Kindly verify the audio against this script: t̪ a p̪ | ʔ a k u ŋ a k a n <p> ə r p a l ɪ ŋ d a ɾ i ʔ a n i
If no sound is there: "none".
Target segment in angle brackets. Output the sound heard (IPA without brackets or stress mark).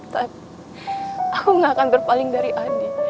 b